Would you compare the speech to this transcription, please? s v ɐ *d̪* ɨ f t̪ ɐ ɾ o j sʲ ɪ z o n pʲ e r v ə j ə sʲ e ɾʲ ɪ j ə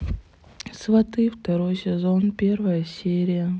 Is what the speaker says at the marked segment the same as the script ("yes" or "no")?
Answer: no